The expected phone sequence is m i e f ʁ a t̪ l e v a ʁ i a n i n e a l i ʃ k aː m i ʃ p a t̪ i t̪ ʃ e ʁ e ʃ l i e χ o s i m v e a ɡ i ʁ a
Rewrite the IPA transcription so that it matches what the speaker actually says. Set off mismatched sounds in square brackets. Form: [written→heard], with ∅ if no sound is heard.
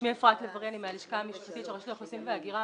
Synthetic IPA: m i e f ʁ a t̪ l e v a ʁ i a n i [n→m] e a l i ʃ k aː m i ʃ p a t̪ i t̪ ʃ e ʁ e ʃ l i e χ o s i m v e a ɡ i ʁ a